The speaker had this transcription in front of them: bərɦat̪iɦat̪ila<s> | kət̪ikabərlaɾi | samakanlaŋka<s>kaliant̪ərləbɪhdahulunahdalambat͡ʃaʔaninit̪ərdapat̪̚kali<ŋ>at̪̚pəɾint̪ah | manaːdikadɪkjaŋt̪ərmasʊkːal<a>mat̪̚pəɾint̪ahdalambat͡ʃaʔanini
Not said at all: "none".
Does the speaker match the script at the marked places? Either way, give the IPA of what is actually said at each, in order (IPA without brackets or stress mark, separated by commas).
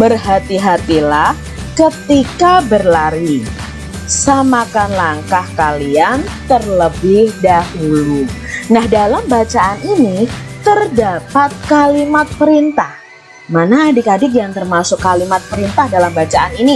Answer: h, h, m, i